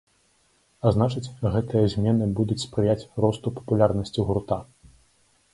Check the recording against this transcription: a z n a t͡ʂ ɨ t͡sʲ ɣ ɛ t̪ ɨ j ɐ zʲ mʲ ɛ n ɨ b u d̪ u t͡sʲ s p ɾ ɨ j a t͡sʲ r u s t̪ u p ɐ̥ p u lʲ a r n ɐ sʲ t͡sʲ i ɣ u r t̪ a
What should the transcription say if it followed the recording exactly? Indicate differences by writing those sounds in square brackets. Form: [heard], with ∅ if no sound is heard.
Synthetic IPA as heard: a z n a t͡ʂ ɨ t͡sʲ ɣ ɛ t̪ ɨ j ɐ zʲ mʲ ɛ n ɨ b u d̪ u t͡sʲ s p ɾ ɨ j a t͡sʲ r [ɔ] s t̪ u p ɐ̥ p u lʲ a r n ɐ sʲ t͡sʲ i ɣ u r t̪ a